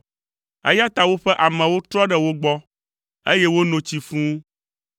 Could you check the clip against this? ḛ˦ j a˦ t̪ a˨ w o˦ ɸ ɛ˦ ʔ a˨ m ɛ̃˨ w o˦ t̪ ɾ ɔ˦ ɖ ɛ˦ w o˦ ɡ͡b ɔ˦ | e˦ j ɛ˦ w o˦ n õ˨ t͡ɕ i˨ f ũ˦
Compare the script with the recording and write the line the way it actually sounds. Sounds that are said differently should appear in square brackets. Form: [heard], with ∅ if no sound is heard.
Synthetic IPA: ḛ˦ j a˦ t̪ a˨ w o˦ ɸ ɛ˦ ʔ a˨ m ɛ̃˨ w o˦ t̪ ɾ ɔ˦ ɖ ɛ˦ w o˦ ɡ͡b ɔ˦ | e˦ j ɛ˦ w o˦ n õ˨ t͡ɕ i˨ f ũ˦